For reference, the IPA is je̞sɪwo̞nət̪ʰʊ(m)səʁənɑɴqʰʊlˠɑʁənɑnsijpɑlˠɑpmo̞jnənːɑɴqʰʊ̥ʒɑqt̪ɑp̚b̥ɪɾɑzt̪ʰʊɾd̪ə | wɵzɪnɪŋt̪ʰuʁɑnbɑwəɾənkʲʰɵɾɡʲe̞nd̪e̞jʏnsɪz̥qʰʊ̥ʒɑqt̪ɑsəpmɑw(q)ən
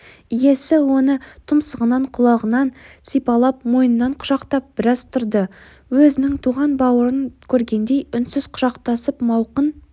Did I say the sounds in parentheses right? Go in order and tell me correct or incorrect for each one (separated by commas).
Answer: correct, correct